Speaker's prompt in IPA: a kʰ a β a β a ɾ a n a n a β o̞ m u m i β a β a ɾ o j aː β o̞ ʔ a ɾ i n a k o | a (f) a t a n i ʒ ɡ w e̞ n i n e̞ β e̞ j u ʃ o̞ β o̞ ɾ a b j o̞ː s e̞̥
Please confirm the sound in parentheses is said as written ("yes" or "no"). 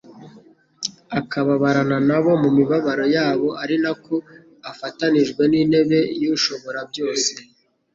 yes